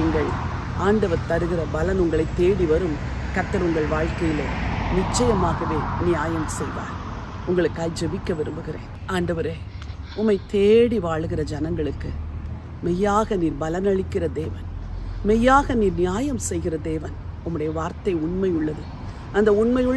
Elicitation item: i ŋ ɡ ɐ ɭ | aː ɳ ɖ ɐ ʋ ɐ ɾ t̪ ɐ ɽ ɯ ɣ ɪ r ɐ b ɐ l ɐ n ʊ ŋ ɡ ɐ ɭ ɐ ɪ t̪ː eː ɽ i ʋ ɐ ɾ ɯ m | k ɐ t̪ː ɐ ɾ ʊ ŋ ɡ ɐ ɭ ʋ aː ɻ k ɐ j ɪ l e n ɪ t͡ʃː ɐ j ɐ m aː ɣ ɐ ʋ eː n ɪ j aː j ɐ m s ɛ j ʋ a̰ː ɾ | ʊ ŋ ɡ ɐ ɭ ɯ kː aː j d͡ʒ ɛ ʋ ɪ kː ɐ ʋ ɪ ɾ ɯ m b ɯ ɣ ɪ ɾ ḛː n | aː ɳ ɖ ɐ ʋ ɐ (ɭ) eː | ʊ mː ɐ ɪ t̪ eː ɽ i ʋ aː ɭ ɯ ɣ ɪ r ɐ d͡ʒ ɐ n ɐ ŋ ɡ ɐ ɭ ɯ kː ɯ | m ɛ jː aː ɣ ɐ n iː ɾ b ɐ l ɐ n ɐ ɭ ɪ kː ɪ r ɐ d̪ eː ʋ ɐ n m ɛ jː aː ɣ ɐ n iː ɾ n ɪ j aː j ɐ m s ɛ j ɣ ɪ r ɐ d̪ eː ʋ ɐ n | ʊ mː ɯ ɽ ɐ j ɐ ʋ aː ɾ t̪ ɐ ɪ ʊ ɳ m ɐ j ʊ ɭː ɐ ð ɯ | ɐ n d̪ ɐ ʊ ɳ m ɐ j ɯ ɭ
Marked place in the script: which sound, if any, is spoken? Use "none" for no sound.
ɾ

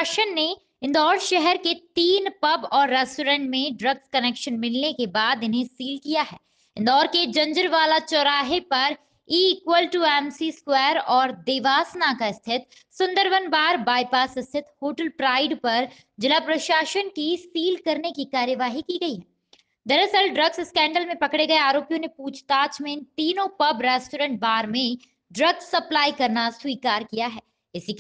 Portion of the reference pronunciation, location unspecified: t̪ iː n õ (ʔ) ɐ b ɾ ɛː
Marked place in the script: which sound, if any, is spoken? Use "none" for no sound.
p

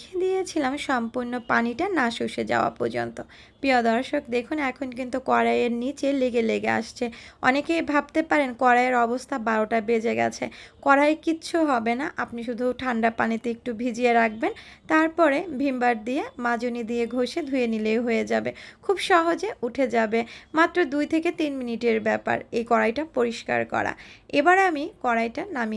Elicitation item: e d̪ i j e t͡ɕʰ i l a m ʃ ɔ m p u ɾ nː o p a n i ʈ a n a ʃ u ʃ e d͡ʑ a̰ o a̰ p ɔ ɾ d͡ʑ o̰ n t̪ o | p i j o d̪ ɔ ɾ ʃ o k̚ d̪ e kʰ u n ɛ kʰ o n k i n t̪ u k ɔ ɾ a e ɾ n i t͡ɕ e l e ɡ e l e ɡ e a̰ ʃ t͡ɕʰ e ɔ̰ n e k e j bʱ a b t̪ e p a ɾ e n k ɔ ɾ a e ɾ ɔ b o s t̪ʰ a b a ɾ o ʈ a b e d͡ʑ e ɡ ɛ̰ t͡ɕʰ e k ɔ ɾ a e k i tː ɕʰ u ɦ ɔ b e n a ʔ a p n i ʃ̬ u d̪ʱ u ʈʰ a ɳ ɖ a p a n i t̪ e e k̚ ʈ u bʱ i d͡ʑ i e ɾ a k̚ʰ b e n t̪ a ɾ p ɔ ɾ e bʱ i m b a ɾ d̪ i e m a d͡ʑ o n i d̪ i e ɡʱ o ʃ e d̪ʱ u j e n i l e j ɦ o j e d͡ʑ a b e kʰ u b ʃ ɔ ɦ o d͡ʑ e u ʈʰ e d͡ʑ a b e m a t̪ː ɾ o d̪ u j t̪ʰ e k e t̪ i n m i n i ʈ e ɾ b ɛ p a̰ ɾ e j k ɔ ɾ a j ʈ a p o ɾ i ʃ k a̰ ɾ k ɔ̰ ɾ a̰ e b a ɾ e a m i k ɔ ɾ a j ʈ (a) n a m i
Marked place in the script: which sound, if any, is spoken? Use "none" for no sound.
a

